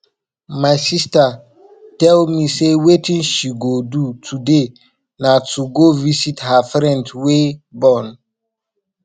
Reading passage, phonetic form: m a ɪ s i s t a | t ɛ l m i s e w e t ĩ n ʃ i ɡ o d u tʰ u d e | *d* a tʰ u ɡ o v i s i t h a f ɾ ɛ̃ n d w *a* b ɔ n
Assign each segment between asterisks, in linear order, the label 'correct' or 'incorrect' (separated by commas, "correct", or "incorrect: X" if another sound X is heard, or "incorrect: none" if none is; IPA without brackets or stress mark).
incorrect: n, incorrect: e